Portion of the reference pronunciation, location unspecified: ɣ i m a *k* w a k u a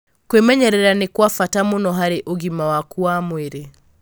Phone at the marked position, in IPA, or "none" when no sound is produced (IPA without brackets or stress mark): none